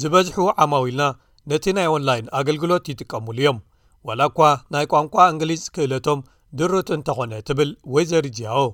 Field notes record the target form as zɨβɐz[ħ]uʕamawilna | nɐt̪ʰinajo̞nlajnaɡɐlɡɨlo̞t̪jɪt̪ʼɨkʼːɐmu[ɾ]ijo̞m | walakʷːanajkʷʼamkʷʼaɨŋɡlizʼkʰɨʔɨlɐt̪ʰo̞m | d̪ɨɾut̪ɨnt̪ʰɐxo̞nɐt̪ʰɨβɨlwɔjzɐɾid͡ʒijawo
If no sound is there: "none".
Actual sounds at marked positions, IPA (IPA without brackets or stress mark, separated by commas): ħ, l